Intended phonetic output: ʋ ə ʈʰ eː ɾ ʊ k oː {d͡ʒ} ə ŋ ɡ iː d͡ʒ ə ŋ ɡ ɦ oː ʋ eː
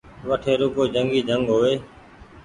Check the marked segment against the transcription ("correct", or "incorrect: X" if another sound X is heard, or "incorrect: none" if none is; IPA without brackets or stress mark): correct